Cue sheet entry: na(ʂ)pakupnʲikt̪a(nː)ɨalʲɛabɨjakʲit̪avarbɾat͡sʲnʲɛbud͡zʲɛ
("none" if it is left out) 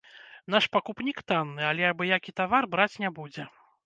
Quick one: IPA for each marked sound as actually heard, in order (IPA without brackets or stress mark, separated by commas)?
ʂ, nː